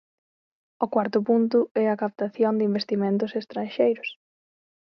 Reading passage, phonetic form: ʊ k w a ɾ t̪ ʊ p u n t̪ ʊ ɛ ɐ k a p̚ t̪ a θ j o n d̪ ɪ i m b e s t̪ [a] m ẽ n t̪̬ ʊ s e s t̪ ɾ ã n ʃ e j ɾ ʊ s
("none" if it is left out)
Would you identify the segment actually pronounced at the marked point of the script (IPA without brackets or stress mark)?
i